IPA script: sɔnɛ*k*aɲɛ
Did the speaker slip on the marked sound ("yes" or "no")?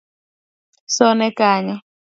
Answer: no